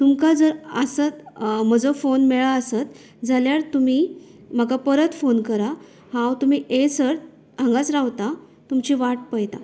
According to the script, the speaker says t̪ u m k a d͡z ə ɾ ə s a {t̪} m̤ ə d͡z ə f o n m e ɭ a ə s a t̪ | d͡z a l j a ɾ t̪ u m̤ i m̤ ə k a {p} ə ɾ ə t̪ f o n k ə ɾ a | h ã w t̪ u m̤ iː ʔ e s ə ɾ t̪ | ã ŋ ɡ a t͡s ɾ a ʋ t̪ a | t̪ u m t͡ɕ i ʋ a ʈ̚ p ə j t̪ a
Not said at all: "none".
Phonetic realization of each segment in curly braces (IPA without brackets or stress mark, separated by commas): t̪, p